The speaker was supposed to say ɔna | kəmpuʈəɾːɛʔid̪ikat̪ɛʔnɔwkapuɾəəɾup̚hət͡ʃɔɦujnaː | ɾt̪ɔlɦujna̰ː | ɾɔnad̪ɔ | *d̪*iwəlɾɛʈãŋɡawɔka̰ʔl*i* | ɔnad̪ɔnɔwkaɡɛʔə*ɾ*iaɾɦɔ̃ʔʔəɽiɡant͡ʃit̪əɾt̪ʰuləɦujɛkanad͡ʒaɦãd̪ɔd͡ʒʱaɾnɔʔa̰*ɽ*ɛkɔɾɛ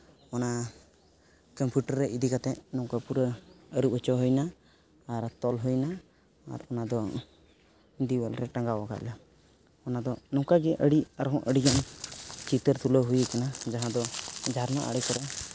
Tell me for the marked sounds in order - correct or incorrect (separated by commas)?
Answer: correct, incorrect, incorrect, correct